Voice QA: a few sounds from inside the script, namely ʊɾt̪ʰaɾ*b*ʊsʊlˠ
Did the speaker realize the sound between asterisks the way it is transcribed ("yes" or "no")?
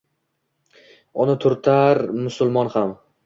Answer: no